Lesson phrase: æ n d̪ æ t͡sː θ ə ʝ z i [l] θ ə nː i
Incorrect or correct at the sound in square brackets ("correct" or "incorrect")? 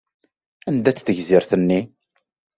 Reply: incorrect